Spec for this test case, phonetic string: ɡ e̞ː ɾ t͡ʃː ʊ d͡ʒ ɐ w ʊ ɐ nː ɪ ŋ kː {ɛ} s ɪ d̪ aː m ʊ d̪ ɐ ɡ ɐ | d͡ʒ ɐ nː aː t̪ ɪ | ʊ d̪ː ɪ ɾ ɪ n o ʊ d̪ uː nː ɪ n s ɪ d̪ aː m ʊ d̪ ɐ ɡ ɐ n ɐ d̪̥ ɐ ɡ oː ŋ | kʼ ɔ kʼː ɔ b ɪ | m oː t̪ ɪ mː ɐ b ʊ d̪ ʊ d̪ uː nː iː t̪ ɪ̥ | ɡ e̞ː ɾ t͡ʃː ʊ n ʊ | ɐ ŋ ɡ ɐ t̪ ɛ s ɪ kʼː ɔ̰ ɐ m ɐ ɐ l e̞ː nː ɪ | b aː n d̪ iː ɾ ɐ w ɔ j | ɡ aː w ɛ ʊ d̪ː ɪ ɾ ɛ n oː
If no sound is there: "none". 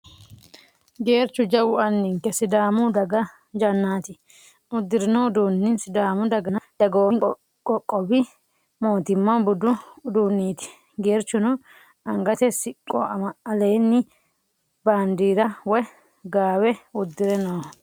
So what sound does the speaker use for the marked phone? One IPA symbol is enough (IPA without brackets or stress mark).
ɛ